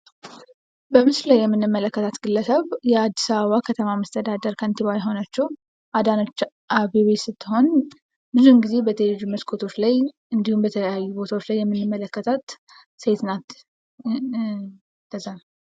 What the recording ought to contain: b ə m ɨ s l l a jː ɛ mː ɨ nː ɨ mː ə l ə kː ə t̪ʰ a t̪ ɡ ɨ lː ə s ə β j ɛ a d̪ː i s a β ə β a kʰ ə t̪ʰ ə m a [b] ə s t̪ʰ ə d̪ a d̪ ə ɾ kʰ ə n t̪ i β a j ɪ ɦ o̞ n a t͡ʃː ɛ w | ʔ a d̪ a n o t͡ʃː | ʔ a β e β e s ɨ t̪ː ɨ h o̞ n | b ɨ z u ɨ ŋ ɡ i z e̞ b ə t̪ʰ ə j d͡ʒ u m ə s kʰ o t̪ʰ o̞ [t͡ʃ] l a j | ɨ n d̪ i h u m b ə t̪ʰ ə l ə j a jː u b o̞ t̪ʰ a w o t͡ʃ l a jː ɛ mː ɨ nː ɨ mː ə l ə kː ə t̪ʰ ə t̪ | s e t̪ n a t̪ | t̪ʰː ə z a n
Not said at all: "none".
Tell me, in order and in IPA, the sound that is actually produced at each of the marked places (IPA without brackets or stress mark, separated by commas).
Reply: m, t͡ʃ